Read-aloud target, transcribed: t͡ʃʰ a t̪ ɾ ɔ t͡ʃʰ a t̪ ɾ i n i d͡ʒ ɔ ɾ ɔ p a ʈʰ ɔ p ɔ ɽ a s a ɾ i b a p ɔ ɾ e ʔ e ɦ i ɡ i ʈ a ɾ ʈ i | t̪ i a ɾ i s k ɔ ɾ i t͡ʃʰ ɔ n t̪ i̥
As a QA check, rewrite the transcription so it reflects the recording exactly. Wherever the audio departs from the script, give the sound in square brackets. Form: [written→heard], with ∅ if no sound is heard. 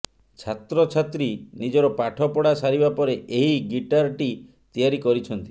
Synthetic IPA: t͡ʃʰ a t̪ ɾ ɔ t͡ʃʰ a t̪ ɾ i n i d͡ʒ ɔ ɾ ɔ p a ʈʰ ɔ p ɔ ɽ a s a ɾ i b a p ɔ ɾ e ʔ e ɦ i ɡ i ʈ a ɾ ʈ i | t̪ i a ɾ i [s→∅] k ɔ ɾ i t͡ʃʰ ɔ n t̪ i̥